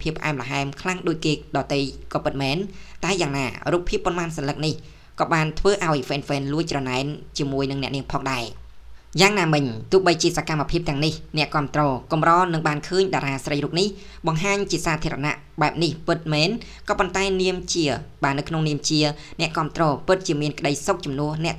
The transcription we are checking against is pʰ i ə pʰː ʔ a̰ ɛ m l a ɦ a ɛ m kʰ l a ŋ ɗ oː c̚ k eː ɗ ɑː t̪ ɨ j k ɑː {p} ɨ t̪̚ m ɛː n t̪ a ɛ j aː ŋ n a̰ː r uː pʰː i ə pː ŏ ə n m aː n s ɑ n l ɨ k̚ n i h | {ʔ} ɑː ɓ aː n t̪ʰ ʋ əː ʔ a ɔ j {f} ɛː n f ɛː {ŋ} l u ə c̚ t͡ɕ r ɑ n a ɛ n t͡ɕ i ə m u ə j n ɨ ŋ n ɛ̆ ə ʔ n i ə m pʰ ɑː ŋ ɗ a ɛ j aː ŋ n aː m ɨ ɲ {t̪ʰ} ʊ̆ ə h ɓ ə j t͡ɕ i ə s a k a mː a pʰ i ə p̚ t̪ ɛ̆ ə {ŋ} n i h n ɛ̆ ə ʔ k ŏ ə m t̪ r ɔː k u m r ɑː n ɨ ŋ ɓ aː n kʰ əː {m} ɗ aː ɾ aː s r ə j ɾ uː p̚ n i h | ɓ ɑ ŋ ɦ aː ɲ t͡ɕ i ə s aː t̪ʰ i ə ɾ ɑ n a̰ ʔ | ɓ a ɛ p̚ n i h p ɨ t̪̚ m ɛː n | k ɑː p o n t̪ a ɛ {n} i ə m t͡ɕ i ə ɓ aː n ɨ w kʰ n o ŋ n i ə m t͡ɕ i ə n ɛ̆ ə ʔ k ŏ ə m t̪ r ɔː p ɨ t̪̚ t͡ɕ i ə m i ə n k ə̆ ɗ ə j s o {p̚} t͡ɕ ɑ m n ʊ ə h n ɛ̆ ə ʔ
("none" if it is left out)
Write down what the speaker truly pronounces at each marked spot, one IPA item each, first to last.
p, k, f, n, t̪, ŋ, ɲ, n, k̚

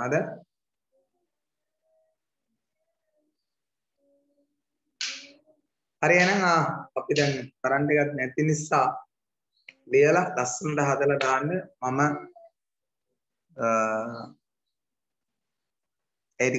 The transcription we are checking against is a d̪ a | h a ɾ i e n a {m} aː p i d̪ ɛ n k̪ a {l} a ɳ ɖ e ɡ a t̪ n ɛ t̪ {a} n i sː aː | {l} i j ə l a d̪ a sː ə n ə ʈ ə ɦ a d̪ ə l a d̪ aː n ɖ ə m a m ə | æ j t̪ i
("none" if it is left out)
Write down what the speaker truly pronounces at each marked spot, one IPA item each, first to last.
ŋ, ɾ, i, l

